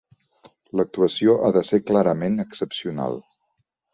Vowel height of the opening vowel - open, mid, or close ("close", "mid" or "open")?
mid